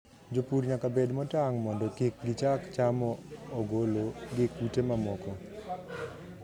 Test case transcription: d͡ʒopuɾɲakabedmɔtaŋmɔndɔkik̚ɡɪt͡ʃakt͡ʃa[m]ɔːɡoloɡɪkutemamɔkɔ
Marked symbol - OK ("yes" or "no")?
yes